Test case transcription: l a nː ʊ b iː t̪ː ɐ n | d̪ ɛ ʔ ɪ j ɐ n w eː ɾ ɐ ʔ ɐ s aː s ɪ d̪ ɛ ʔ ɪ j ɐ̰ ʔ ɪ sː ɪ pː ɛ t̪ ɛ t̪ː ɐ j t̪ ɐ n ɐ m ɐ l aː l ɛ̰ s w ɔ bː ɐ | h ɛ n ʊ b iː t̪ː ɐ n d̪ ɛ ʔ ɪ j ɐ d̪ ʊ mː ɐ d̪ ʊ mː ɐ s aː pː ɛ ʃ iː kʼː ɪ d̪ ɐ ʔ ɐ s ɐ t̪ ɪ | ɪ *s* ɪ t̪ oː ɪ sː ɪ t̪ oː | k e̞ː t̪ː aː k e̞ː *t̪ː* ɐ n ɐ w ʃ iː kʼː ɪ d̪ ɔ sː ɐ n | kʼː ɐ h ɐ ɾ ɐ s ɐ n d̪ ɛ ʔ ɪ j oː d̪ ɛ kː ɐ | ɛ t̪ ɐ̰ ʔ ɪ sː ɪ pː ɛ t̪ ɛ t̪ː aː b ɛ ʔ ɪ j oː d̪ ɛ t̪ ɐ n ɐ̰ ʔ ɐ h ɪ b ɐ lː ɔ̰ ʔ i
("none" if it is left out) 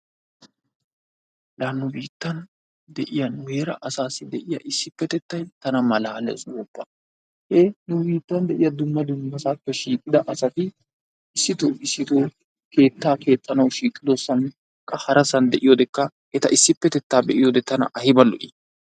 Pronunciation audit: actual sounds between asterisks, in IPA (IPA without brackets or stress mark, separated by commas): sː, t̪ʼː